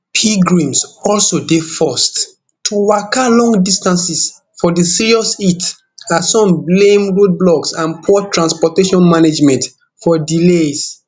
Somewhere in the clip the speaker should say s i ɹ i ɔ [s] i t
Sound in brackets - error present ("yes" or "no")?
no